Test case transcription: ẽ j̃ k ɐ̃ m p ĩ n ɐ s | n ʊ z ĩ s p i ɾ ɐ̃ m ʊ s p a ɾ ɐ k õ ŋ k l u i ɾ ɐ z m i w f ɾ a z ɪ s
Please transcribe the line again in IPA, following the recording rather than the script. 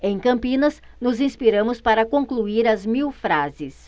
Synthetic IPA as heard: ẽ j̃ k ɐ̃ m p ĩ n ɐ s | n ʊ z ĩ s p i ɾ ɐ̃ m ʊ s p a ɾ ɐ k õ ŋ k l u i ɾ ɐ z m i w f ɾ a z ɪ s